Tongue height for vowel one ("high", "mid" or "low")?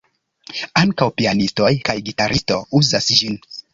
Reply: low